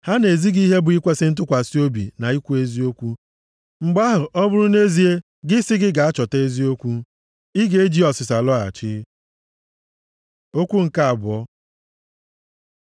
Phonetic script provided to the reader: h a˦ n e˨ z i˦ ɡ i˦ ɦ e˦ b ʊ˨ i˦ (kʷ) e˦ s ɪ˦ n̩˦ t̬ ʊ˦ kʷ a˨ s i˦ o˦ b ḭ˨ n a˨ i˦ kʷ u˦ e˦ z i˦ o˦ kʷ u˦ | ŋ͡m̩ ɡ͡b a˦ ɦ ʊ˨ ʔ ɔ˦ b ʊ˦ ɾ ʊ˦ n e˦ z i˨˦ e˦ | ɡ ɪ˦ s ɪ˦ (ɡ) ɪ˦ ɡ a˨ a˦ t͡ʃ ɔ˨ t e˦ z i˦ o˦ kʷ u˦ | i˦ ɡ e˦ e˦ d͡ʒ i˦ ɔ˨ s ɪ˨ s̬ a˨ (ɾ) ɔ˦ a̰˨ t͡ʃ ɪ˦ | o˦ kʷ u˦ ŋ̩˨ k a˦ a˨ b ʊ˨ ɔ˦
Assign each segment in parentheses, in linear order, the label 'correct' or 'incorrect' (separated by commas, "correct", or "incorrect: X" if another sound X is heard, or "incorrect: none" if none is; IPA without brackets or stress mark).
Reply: correct, correct, incorrect: l